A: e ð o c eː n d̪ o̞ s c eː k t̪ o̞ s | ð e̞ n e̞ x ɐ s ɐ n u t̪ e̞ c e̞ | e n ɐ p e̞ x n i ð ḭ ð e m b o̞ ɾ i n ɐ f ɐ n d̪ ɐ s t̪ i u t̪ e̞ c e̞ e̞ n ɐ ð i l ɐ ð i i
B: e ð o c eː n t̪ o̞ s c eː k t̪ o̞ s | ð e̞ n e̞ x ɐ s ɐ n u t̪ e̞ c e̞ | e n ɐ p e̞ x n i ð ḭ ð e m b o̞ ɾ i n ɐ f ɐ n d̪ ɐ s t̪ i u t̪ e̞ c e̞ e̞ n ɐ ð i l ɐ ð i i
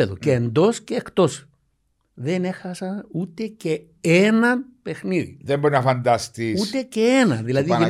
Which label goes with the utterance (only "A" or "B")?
A